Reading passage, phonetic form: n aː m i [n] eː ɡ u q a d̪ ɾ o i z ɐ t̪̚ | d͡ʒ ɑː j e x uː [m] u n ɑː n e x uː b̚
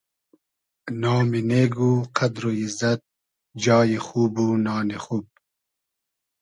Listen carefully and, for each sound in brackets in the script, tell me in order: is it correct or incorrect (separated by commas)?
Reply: correct, incorrect